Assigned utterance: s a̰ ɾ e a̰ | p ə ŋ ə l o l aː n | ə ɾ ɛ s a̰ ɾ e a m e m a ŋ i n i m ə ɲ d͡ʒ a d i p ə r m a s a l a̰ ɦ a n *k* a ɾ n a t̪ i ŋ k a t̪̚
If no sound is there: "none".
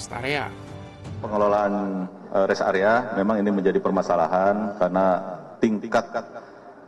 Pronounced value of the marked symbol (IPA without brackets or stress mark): k